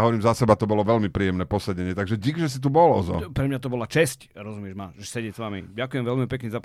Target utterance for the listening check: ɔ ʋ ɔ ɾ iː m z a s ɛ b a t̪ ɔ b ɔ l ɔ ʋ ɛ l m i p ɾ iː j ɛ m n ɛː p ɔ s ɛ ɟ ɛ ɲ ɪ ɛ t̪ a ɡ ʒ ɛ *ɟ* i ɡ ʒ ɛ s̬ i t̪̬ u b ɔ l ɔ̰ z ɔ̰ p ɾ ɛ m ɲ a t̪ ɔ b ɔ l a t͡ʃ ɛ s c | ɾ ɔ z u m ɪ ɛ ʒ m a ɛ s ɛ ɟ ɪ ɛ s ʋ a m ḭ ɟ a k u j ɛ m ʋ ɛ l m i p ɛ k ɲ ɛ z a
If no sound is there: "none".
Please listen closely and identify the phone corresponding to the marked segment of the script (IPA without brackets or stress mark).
ɟ